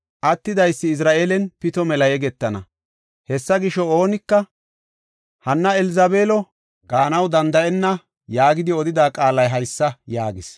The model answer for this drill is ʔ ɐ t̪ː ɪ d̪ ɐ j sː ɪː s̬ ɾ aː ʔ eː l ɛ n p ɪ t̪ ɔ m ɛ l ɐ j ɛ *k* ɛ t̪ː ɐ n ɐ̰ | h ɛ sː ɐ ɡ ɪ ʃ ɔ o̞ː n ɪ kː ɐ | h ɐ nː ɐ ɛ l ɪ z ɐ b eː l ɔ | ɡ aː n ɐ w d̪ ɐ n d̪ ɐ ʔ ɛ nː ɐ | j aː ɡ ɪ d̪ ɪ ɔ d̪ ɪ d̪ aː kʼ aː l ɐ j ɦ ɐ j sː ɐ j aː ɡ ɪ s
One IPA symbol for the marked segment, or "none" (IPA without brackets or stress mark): ɡ